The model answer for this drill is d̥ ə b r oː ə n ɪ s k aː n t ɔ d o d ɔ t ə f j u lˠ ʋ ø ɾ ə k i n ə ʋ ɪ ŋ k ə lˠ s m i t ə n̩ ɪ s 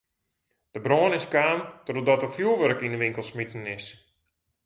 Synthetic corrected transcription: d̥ ə b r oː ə n ɪ s k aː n t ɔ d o d ɔ t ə f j u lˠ ʋ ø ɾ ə k i n ə ʋ ɪ ŋ k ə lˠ s m i t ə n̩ ɪ s